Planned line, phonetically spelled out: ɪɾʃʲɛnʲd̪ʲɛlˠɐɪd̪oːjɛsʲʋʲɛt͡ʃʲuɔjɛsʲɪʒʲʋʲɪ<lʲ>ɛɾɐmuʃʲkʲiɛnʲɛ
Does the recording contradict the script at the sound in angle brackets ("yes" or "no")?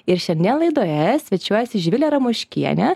no